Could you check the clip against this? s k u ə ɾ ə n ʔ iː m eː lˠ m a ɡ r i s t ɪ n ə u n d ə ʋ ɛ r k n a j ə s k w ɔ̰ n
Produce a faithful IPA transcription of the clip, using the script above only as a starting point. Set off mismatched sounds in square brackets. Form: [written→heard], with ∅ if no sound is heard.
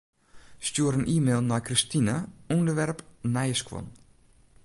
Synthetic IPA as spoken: s [k→t] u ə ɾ ə n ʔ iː m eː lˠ [m→n] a [ɡ→k] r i s t [ɪ→i] n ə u n d ə ʋ ɛ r [k→p] n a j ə s k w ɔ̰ n